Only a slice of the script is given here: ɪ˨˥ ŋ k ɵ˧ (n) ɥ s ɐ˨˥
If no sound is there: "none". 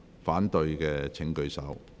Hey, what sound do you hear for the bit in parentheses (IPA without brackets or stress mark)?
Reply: none